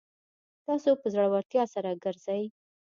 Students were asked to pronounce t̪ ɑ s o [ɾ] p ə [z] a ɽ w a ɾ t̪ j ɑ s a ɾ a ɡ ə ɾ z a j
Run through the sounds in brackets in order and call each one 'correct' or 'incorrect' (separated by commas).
incorrect, correct